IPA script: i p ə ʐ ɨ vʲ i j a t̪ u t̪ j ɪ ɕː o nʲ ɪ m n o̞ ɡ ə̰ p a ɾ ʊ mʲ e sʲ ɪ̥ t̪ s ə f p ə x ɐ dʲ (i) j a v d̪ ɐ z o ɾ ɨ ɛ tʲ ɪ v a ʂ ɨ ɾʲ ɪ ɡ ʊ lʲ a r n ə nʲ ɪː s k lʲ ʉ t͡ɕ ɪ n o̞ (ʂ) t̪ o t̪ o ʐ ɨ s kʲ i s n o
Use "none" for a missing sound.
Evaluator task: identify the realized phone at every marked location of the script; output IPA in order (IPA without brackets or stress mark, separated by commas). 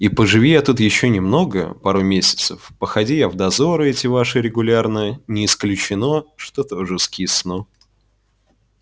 i, ʂ